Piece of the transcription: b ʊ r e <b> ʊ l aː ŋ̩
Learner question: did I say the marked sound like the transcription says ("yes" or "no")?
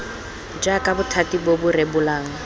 yes